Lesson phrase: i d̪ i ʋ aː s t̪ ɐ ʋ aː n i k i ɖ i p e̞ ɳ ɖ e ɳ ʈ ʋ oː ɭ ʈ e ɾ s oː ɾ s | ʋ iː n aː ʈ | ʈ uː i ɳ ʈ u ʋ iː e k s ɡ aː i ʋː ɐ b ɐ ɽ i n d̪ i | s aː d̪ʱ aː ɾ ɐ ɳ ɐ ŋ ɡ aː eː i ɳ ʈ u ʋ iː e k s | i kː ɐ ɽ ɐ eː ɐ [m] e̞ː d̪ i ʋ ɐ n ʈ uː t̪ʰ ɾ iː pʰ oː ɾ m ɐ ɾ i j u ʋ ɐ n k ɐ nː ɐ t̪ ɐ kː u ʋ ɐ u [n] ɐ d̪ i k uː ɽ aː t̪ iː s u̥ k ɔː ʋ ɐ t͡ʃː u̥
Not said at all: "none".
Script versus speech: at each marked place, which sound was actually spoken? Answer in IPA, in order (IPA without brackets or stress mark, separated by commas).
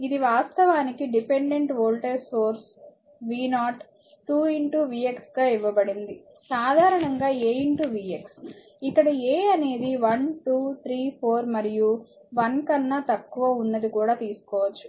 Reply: n, nː